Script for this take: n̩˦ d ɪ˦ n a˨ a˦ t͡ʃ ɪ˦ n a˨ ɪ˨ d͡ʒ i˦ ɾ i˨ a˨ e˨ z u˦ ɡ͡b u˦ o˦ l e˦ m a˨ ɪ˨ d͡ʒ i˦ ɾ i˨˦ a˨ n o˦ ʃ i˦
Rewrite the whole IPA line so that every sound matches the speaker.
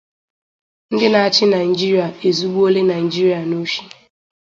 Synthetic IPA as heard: n̩˦ d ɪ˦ n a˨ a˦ t͡ʃ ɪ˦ n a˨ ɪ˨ d͡ʒ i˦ ɾ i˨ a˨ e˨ z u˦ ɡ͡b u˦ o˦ l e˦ n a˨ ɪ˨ d͡ʒ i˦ ɾ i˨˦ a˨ n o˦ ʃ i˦